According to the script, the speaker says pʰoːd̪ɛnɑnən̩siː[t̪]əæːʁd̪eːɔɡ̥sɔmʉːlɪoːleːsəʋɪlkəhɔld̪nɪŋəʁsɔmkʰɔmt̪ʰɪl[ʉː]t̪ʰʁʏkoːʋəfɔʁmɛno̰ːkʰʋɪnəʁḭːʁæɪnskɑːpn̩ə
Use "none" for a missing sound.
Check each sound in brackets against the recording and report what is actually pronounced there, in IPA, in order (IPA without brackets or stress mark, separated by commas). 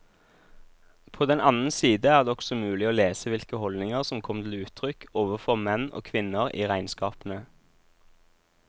d̪, ʉː